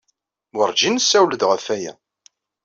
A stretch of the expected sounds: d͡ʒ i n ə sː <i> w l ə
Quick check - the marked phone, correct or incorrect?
incorrect